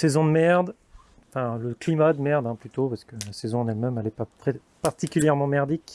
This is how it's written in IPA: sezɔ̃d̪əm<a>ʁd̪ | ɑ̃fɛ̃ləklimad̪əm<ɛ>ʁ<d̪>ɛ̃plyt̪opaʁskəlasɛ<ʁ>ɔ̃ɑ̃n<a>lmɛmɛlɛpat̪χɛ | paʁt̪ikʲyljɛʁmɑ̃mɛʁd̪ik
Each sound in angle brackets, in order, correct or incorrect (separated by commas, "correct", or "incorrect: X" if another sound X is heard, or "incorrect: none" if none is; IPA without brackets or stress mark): incorrect: ɛ, correct, correct, incorrect: z, incorrect: ɛ